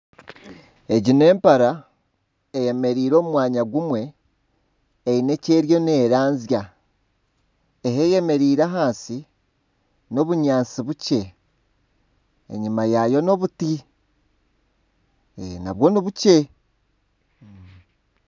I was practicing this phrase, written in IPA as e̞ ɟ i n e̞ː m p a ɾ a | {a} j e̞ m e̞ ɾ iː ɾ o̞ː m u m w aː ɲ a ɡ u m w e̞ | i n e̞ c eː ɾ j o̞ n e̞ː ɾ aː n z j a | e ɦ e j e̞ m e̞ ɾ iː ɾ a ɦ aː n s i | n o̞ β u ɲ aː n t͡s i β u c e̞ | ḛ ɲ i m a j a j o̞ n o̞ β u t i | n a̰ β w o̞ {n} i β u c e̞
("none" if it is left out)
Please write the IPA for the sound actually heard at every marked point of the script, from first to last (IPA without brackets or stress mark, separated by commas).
e, n